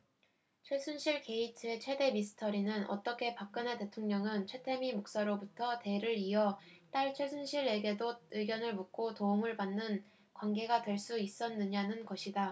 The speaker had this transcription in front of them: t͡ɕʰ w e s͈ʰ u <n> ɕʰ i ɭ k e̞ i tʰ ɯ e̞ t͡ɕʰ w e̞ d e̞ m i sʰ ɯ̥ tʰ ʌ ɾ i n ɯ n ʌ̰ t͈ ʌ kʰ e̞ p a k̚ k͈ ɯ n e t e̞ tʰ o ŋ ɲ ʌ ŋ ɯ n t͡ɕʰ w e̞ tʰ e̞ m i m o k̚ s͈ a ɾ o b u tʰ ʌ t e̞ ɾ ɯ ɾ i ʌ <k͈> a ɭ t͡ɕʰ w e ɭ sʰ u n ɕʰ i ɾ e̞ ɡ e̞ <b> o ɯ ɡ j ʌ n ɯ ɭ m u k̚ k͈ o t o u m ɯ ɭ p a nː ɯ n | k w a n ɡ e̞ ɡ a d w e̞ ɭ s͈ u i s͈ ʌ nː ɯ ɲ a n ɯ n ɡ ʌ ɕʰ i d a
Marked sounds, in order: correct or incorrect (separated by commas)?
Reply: correct, incorrect, incorrect